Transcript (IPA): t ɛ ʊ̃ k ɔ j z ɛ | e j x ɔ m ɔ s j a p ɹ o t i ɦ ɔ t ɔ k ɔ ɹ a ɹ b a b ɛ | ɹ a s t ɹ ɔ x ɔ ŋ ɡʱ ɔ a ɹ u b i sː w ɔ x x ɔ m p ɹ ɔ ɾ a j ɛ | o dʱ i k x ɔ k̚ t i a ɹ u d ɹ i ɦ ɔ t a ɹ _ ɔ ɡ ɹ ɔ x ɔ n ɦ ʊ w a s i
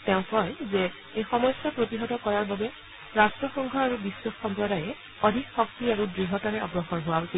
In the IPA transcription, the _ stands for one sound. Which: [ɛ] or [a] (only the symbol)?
ɛ